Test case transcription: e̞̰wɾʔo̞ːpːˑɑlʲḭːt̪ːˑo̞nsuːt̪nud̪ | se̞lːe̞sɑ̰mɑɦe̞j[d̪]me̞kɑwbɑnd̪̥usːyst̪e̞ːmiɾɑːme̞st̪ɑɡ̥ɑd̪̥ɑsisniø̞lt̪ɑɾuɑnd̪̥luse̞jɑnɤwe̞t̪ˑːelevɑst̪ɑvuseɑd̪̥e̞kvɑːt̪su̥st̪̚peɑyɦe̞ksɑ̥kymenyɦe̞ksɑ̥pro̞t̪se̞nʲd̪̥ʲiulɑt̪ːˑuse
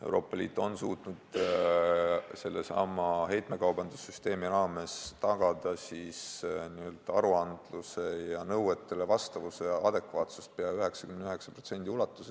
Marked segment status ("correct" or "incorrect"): incorrect